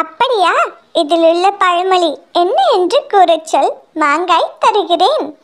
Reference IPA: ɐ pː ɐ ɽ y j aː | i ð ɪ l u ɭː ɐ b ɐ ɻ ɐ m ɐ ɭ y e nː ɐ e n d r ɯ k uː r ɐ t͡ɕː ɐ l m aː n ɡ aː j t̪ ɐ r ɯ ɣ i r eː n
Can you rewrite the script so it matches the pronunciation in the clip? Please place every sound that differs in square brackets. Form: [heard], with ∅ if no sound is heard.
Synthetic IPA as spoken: ɐ pː ɐ ɽ [i] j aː | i ð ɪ l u ɭː ɐ [p] ɐ ɻ ɐ m ɐ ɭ [i] e nː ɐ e n d r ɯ k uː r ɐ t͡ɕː ɐ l m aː [ŋ] ɡ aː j t̪ ɐ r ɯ ɣ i r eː n